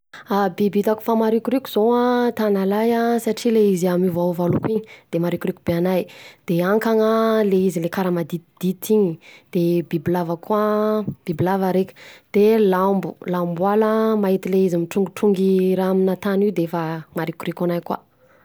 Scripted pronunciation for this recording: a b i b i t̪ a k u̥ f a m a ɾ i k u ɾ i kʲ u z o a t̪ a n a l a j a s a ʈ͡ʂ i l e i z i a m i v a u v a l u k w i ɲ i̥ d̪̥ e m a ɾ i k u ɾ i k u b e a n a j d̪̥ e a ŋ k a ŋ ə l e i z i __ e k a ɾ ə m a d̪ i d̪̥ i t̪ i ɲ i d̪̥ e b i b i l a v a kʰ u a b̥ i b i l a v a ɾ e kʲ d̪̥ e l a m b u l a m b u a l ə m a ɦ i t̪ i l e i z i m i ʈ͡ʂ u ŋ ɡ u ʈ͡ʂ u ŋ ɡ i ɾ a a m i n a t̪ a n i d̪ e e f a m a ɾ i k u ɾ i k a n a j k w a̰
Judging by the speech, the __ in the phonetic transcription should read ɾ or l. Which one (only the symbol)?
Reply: l